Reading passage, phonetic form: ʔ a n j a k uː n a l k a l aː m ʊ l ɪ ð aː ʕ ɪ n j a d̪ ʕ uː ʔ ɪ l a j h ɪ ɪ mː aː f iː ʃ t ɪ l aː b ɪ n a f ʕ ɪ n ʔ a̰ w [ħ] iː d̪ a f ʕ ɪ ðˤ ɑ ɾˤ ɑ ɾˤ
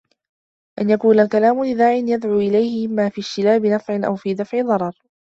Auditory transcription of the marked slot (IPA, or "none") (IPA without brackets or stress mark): f